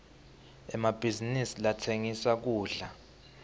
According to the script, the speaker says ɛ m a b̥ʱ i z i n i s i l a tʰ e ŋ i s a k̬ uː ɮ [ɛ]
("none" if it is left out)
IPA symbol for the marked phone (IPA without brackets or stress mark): a